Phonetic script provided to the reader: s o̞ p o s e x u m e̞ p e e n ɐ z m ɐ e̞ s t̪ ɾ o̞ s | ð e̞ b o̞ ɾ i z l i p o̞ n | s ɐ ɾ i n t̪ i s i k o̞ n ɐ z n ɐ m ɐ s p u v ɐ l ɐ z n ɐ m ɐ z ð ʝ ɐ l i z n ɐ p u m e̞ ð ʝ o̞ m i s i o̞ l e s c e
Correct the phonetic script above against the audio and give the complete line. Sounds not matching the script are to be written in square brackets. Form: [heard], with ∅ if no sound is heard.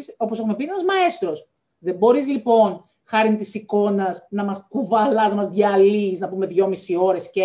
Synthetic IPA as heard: s o̞ p o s e x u m e̞ p [i] e n ɐ z m ɐ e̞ s t̪ ɾ o̞ s | ð e̞ b o̞ ɾ i z l i p o̞ n | [x] ɐ ɾ i n t̪ i s i k o̞ n ɐ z n ɐ m ɐ s [k] u v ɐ l ɐ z n ɐ m ɐ z ð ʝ ɐ l i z n ɐ p u m e̞ ð ʝ o̞ m i s i o̞ [ɾ] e s c e